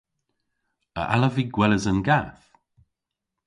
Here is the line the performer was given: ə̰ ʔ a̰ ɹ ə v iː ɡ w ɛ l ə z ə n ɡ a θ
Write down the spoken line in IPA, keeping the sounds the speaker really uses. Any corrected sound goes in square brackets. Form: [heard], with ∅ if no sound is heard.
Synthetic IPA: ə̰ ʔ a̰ [l] ə v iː ɡ w ɛ l ə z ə n ɡ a θ